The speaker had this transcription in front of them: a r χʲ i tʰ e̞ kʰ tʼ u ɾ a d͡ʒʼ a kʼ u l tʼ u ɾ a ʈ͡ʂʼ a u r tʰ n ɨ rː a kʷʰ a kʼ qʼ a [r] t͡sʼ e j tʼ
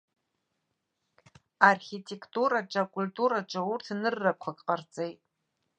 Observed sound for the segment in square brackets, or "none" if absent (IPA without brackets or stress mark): r